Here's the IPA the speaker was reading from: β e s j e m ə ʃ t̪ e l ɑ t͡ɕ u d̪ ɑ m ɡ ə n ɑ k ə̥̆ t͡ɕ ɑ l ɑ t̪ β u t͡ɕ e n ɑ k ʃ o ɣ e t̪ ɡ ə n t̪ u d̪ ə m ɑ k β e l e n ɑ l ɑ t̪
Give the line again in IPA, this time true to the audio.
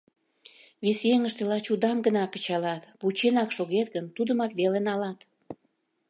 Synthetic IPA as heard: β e s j e ŋ ə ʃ t̪ e l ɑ t͡ɕ u d̪ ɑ m ɡ ə n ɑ k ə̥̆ t͡ɕ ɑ l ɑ t̪ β u t͡ɕ e n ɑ k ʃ o ɣ e t̪ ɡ ə n t̪ u d̪ ə m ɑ k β e l e n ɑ l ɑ t̪

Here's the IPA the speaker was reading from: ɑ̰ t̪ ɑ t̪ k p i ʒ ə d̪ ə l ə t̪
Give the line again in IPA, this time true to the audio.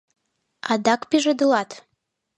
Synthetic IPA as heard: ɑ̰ d̪ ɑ k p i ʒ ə d̪ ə l ɑ t̪

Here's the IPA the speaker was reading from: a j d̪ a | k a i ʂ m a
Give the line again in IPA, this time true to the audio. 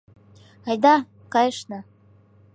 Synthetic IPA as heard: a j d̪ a | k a j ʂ n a

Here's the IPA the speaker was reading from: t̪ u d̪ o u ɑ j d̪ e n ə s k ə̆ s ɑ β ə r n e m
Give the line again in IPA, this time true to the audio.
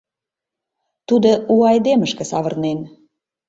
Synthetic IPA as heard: t̪ u d̪ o u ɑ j d̪ e m ə ʃ k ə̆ s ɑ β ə r n e n

